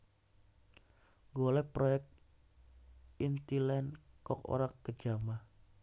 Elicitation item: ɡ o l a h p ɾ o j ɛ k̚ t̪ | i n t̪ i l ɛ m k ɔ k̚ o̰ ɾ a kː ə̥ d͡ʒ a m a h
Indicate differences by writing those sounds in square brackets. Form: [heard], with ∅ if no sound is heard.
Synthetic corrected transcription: ɡ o l [ɛ] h p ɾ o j ɛ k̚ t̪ | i n t̪ i l ɛ [n] k ɔ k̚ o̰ ɾ a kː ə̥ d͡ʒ a m a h